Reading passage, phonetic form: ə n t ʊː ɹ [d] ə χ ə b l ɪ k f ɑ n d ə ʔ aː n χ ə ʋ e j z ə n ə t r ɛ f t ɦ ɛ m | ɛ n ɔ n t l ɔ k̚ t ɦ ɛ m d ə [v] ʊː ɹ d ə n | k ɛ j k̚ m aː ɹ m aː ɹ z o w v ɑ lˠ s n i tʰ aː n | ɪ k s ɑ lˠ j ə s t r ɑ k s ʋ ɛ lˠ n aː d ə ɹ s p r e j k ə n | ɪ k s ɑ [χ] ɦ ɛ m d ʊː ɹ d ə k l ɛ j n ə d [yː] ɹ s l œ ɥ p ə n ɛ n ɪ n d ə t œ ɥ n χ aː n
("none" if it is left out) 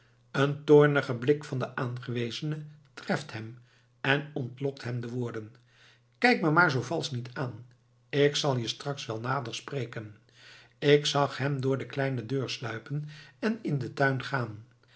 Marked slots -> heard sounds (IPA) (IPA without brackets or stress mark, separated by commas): n, ʋ, χ, øː